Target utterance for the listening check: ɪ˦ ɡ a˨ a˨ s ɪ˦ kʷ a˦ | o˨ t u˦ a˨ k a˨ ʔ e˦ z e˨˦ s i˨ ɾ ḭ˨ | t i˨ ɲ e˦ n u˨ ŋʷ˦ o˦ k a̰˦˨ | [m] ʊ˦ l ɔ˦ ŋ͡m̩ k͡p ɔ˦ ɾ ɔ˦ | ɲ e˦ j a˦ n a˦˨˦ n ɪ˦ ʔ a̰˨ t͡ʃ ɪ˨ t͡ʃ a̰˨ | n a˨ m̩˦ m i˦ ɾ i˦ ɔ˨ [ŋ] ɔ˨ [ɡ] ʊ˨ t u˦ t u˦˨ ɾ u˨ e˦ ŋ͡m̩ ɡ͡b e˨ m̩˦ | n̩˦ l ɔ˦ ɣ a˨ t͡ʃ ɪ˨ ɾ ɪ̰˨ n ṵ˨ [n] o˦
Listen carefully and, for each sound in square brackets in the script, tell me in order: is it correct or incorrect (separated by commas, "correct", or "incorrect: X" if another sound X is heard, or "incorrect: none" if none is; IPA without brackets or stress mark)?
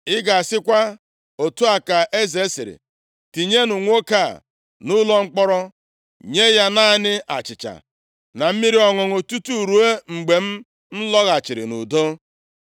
incorrect: n, correct, incorrect: ŋ, incorrect: d